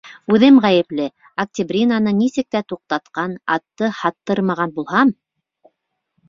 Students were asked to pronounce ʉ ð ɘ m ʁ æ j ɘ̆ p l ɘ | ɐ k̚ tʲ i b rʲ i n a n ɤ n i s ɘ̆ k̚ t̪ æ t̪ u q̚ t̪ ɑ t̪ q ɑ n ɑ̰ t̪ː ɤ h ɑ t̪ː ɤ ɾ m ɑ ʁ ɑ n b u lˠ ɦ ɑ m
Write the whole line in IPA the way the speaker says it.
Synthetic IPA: ʉ ð ɘ m ʁ æ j ɘ̆ p l ɘ | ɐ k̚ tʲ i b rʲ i n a n ɤ n i s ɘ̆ k̚ t̪ æ t̪ u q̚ t̪ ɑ t̪ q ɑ n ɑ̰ t̪ː ɤ h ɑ t̪ː ɤ ɾ m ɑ ʁ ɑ n b u lˠ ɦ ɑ m